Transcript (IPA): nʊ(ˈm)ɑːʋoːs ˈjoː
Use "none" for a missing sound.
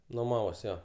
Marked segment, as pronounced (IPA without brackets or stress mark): m